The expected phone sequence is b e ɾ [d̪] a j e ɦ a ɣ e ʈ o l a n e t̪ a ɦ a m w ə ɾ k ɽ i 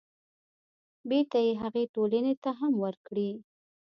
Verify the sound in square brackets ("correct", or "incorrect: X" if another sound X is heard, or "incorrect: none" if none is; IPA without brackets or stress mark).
incorrect: t̪